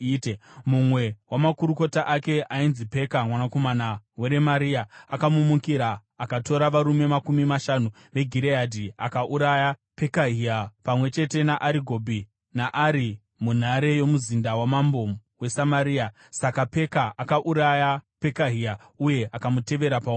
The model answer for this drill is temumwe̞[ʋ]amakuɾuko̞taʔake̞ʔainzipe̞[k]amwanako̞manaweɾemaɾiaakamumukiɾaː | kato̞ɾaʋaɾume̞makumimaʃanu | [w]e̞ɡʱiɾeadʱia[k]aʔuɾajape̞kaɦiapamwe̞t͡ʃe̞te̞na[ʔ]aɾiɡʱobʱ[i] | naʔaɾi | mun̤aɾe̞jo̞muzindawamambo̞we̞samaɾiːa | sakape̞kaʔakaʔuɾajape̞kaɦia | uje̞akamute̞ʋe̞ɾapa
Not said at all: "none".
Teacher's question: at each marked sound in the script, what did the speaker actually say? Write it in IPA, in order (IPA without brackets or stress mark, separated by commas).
w, k, ʋ, k, ʔ, i